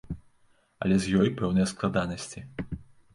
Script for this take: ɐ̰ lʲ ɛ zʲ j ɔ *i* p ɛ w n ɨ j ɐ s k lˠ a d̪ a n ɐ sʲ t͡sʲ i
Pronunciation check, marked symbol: incorrect: j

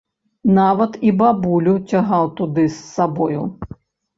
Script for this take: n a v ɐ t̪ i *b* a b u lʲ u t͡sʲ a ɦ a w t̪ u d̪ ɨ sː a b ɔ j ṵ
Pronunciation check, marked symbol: correct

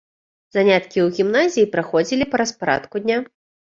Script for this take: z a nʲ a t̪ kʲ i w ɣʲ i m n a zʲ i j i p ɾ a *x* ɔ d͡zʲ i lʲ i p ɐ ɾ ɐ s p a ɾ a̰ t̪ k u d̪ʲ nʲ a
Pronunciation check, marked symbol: correct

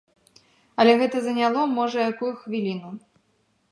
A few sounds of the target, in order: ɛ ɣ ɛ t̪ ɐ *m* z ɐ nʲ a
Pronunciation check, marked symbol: incorrect: none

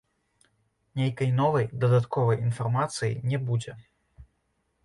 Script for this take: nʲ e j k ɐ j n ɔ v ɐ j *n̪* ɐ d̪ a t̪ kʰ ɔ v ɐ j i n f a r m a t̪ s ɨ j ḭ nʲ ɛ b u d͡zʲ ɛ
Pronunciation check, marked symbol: incorrect: d̪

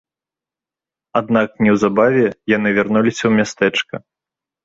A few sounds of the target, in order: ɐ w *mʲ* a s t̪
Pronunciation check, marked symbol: correct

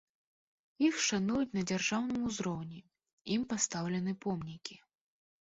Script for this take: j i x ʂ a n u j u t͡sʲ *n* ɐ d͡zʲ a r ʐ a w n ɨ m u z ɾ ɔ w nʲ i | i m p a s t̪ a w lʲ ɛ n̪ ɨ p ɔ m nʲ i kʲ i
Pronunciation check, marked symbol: correct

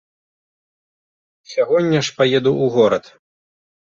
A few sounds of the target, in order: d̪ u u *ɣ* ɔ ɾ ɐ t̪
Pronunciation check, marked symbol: correct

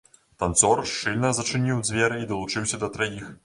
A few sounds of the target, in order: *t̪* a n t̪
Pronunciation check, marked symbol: correct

